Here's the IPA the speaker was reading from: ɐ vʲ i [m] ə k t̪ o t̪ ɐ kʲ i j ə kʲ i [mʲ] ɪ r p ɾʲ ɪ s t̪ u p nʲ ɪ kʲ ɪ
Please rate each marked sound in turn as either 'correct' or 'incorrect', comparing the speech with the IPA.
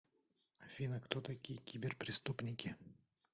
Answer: incorrect, incorrect

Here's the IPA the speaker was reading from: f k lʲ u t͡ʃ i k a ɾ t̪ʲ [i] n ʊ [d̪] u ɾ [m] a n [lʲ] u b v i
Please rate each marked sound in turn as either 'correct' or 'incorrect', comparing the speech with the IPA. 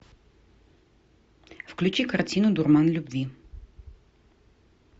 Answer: correct, correct, correct, correct

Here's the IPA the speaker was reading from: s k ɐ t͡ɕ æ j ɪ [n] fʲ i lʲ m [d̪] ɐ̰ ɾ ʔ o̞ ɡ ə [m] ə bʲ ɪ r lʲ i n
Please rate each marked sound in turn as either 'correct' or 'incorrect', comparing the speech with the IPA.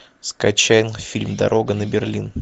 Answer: correct, correct, incorrect

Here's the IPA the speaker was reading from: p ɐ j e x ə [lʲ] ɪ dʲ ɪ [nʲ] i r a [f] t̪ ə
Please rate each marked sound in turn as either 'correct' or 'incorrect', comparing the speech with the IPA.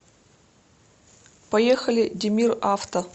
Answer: correct, incorrect, correct

